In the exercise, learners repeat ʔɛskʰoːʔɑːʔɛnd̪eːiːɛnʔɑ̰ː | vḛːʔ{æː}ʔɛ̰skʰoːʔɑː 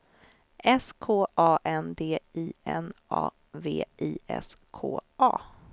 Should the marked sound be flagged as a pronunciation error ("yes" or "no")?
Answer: yes